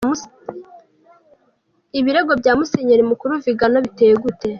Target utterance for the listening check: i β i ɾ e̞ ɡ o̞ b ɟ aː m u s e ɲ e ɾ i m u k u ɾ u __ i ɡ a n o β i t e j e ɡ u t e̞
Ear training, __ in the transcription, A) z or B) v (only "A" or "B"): B